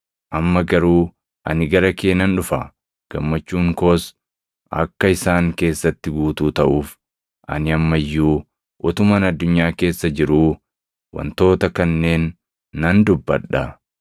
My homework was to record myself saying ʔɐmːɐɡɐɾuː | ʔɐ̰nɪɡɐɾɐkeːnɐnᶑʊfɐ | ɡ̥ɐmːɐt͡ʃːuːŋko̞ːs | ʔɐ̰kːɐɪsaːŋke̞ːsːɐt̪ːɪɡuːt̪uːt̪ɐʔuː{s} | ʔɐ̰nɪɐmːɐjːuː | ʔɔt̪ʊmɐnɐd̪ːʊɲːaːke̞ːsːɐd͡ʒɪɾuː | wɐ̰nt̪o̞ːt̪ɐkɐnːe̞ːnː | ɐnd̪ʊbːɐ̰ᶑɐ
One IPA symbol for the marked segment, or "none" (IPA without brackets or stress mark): f